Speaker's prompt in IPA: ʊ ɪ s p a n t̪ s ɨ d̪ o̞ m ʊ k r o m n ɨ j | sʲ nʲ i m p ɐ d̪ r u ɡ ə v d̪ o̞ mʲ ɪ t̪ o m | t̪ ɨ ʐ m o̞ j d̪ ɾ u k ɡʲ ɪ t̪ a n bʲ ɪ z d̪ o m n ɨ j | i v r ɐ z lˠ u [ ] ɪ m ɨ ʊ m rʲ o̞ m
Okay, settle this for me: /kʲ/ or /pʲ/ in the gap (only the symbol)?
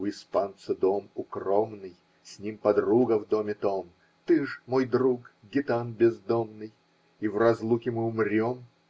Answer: kʲ